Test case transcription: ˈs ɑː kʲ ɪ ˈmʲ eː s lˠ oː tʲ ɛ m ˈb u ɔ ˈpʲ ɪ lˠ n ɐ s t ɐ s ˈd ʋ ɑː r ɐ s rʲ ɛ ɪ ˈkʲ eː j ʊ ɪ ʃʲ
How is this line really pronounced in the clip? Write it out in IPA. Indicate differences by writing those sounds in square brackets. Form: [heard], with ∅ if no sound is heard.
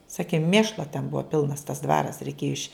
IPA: ˈs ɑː kʲ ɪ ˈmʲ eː [ʃ] lˠ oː tʲ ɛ [n] ˈb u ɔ ˈpʲ ɪ lˠ n ɐ s t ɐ s ˈd ʋ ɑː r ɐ s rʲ ɛ ɪ ˈkʲ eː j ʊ ɪ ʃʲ